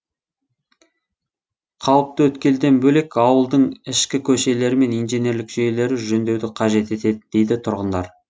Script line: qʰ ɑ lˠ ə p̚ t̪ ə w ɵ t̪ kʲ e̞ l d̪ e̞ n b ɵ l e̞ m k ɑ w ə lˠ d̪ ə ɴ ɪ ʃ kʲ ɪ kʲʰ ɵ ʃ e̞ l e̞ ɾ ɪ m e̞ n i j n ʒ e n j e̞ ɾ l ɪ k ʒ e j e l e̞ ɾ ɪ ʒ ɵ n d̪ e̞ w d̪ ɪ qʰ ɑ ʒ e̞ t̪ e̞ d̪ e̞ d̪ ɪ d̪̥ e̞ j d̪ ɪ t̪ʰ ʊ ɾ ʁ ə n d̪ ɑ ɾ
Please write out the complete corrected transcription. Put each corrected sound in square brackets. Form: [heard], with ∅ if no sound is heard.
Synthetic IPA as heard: qʰ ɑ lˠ ə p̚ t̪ ə w ɵ t̪ kʲ e̞ l d̪ e̞ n b ɵ l e̞ [∅] k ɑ w ə lˠ d̪ ə ɴ ɪ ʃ kʲ ɪ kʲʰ ɵ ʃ e̞ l e̞ ɾ ɪ m e̞ n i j n ʒ e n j e̞ ɾ l ɪ k ʒ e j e l e̞ ɾ ɪ ʒ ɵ n d̪ e̞ w d̪ ɪ qʰ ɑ ʒ e̞ t̪ e̞ [t̪] e̞ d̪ ɪ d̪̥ e̞ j d̪ ɪ t̪ʰ ʊ ɾ ʁ ə n d̪ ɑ ɾ